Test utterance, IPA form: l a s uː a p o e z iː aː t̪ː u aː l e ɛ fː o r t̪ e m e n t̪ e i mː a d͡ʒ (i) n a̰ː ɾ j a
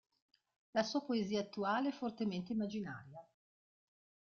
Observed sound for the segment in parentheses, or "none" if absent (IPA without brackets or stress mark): i